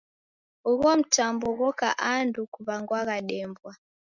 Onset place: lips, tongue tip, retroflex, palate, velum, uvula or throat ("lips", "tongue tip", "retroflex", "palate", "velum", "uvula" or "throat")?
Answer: velum